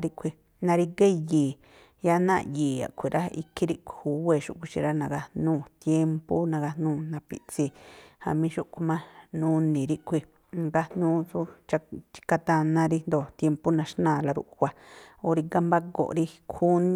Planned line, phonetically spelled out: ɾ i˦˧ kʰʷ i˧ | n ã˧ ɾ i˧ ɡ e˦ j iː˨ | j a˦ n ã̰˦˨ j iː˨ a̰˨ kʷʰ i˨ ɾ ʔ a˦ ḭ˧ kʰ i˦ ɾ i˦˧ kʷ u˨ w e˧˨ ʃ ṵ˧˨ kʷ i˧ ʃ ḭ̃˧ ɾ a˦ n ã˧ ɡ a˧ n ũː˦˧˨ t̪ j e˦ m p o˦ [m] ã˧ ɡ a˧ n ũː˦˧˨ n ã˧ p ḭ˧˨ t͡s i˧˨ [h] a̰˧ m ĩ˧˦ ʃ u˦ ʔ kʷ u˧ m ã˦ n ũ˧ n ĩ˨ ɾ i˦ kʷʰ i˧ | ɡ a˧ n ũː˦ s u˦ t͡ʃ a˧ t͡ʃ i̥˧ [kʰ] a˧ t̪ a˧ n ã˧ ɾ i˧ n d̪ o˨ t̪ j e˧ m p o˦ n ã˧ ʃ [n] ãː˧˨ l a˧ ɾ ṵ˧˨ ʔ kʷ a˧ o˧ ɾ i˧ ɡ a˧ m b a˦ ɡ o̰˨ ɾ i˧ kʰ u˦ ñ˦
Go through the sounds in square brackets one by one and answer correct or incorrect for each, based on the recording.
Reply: incorrect: n, correct, incorrect: k, correct

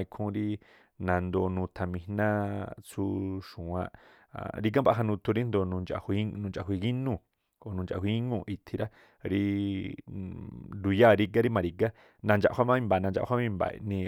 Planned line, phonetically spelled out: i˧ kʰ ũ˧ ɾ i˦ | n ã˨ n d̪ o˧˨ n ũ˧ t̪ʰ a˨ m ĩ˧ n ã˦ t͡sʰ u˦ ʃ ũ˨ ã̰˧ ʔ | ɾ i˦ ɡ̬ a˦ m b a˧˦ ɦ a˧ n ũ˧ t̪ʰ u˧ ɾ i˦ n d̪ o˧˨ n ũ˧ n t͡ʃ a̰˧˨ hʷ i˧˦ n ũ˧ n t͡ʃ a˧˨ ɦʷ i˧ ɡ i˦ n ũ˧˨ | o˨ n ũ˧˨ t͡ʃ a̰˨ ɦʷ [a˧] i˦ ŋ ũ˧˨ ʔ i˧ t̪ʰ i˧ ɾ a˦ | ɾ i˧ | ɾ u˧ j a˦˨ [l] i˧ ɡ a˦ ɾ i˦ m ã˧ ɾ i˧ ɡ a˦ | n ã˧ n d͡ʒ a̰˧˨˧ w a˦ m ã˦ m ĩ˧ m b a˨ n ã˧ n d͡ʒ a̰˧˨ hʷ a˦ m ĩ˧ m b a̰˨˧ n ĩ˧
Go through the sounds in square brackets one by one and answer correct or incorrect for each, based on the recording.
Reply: incorrect: i˧, incorrect: ɾ

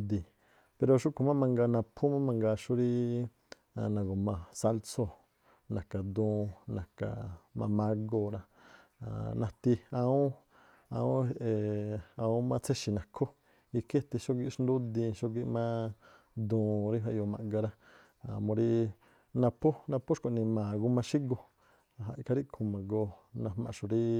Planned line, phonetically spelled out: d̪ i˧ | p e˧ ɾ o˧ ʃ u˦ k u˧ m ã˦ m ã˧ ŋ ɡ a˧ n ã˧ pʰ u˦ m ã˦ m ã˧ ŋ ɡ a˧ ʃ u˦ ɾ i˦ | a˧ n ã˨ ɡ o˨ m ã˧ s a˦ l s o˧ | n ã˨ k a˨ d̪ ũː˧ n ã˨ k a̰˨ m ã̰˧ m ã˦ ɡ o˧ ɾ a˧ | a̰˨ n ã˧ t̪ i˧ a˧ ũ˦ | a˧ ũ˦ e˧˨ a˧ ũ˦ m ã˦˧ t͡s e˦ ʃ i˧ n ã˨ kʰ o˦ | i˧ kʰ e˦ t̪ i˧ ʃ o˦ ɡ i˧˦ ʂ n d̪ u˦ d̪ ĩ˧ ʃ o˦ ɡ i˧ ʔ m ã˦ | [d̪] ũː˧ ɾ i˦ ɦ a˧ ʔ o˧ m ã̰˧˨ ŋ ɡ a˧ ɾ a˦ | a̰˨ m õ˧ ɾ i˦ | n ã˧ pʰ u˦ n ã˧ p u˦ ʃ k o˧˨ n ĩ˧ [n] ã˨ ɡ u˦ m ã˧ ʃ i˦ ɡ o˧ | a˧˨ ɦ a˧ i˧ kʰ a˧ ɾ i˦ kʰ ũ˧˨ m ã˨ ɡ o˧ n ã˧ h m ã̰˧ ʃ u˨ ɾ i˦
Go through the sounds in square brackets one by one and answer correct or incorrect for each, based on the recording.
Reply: correct, incorrect: m

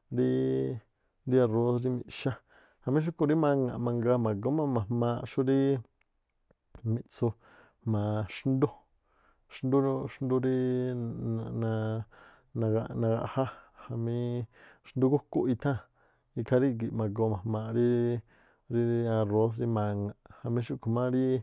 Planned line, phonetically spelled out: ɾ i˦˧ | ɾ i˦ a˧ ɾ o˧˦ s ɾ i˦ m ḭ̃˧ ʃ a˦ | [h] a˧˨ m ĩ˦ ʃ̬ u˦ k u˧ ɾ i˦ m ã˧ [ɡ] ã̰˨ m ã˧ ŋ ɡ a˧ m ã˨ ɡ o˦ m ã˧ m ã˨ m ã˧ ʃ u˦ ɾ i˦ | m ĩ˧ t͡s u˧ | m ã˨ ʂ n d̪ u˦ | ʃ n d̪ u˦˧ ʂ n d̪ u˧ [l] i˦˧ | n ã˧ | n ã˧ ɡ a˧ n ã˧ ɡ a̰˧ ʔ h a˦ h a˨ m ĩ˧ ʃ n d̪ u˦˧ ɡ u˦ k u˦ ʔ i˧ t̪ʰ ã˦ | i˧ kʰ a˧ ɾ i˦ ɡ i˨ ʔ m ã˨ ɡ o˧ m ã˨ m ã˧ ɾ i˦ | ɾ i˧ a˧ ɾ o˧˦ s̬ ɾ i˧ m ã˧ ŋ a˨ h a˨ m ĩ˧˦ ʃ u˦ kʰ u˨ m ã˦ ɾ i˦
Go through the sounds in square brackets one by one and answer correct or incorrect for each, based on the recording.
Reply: correct, incorrect: ŋ, incorrect: ɾ

